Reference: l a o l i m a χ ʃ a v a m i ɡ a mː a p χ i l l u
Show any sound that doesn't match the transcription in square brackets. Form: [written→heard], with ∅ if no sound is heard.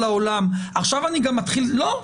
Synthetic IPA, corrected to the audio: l a o l [i→a] m a χ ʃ a v a [m→n] i ɡ a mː a [p→t] χ i l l [u→o]